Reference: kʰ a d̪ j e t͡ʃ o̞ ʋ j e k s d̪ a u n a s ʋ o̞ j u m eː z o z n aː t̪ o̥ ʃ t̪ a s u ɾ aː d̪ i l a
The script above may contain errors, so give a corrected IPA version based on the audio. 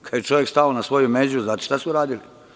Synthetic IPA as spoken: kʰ a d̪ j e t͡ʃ o̞ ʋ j e k s t̪ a o n a s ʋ o̞ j u m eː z u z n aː t̪ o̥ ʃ t̪ a s u ɾ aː d̪ i l i